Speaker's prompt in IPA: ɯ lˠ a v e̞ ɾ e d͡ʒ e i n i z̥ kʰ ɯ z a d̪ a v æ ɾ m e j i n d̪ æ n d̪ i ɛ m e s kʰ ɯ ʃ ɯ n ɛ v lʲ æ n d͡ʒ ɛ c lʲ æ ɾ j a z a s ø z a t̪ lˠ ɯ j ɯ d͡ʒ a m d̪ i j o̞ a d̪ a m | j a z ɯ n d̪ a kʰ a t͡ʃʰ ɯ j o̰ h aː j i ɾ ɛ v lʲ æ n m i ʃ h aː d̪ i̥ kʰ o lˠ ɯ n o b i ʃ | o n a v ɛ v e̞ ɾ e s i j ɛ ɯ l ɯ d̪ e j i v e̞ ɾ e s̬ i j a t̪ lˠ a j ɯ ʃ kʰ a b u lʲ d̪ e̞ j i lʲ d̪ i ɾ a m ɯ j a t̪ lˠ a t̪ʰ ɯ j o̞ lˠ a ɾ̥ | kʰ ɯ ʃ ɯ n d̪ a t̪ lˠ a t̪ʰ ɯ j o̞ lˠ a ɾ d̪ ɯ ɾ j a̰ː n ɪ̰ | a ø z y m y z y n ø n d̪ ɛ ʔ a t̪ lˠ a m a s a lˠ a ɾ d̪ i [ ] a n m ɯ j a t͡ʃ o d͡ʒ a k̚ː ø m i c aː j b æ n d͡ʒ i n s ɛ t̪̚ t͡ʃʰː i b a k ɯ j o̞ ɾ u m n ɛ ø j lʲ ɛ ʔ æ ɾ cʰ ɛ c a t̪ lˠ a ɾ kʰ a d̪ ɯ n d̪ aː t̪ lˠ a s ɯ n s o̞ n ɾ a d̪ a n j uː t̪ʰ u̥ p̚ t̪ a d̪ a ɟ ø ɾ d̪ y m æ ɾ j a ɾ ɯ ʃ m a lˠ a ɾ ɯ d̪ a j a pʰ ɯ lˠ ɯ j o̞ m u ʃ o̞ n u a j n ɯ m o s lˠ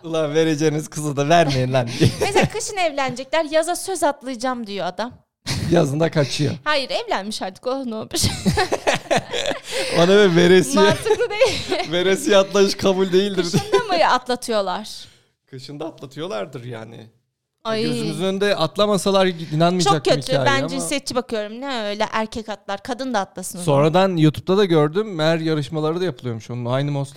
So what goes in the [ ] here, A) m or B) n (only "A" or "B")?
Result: B